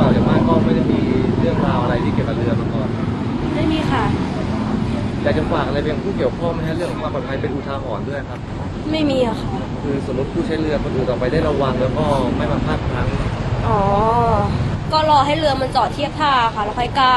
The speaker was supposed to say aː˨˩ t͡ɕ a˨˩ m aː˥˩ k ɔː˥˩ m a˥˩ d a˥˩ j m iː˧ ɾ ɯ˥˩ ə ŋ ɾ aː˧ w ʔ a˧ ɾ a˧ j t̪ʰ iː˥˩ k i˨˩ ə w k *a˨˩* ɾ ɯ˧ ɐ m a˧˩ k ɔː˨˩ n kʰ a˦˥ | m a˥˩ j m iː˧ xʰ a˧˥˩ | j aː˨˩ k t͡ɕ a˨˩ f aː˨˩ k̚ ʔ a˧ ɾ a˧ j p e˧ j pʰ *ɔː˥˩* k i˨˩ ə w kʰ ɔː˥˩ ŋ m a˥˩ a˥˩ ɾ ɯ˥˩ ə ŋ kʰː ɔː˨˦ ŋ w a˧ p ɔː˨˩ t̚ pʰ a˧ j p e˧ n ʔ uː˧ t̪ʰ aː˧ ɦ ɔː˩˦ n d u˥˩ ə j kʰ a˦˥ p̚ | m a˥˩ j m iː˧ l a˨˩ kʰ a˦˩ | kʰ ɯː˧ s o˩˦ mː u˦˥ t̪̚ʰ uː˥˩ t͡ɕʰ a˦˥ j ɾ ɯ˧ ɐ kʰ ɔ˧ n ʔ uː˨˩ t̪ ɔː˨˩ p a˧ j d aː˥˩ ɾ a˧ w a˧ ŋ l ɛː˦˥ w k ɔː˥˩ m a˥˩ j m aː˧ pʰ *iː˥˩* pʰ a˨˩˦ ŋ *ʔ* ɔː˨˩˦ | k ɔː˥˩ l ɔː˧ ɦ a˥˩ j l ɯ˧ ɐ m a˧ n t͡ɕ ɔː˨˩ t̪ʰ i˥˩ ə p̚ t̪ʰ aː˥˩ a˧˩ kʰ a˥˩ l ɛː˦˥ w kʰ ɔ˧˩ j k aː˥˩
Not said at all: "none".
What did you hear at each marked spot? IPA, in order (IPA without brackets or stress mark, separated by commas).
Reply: a˨˩, uː˥˩, aː˥˩, ʔ